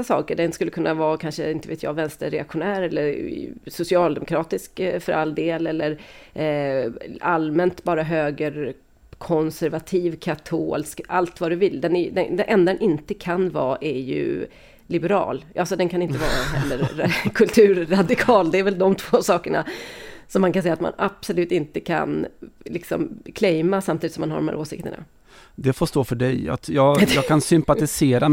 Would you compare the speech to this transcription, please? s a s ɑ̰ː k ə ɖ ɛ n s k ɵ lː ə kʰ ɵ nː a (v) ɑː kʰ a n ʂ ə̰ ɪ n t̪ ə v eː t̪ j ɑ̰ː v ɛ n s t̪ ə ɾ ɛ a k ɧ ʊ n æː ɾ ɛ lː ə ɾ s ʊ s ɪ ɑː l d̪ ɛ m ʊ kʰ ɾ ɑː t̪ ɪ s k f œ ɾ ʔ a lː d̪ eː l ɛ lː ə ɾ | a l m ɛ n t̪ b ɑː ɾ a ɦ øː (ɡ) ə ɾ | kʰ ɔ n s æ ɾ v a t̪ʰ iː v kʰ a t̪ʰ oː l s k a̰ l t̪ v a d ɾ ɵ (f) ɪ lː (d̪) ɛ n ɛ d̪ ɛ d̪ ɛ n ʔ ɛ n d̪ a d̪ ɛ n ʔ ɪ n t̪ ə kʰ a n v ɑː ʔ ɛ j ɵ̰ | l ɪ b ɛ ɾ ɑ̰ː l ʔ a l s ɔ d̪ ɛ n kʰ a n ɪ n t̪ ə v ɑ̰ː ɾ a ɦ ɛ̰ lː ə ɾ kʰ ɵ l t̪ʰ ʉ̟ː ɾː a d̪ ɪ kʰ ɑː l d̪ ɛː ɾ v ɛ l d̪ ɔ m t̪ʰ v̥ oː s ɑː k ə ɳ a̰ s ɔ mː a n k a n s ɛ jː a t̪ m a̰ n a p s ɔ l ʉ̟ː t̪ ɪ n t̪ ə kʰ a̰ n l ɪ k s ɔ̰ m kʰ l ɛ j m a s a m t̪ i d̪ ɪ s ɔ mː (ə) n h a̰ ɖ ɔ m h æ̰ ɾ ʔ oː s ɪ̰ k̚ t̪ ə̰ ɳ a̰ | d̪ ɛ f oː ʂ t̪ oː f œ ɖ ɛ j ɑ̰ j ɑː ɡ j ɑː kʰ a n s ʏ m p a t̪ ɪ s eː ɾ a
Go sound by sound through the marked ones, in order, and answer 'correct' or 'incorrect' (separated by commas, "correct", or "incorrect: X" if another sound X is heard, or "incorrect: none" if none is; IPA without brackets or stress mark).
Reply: correct, correct, incorrect: v, correct, incorrect: a